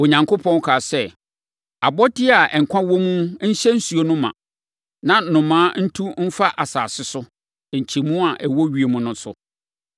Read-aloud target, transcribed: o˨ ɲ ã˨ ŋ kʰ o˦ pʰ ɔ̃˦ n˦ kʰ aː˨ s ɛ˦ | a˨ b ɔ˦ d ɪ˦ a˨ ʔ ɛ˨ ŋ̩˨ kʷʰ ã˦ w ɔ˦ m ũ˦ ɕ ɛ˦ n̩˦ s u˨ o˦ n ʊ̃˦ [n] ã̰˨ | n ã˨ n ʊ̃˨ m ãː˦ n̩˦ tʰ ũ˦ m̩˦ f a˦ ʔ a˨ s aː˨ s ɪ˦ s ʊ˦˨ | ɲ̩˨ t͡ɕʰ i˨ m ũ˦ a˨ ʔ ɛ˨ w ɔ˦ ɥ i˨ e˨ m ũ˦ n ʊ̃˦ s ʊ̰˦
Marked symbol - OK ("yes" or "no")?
no